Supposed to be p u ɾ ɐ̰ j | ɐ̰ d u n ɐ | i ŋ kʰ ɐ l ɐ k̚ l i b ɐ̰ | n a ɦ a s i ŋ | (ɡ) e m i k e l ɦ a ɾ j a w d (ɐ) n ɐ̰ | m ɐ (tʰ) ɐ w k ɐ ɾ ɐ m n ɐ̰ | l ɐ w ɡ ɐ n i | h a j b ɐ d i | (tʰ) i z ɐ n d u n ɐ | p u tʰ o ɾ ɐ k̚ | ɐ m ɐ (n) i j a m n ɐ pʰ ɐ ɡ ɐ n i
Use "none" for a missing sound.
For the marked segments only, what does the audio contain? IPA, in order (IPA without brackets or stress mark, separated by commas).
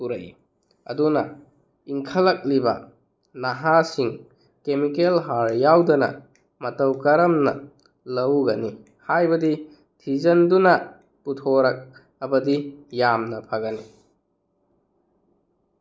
k, ɐ, t, tʰ, d